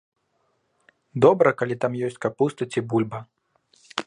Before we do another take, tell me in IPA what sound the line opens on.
d̪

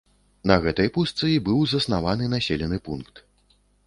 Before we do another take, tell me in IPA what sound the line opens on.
n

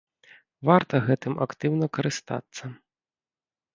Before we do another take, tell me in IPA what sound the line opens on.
v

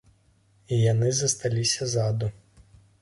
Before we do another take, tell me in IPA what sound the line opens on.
i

